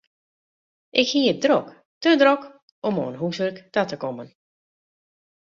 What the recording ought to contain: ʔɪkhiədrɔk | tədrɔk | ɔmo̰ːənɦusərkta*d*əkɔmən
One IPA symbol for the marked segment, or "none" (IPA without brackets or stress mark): t